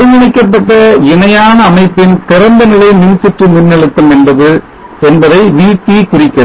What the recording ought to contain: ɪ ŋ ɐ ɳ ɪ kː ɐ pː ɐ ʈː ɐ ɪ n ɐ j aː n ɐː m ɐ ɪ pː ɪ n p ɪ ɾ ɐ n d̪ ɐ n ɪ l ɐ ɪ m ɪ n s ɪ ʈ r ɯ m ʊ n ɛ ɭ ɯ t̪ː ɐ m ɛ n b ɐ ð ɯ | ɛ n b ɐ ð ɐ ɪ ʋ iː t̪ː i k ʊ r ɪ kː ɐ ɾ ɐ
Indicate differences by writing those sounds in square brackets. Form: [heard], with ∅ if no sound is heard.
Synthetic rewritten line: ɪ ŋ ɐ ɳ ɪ kː ɐ pː ɐ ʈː ɐ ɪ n ɐ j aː n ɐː m ɐ ɪ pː ɪ n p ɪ ɾ ɐ n d̪ ɐ n ɪ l ɐ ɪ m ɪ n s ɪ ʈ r ɯ m ʊ [nː] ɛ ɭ ɯ t̪ː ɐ m ɛ n b ɐ ð ɯ | ɛ n b ɐ ð ɐ ɪ ʋ iː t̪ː i k ʊ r ɪ kː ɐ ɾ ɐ